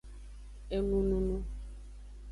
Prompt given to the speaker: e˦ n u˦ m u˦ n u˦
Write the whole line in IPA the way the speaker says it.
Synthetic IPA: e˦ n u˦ n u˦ n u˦